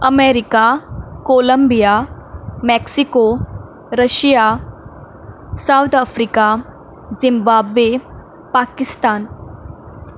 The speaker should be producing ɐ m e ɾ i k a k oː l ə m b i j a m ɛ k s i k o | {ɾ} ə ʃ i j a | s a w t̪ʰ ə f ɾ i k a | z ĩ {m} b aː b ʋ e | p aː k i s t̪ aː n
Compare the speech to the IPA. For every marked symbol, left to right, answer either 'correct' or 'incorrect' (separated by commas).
correct, correct